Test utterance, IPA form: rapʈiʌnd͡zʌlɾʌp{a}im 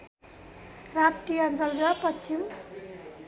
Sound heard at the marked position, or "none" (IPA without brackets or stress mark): ʌ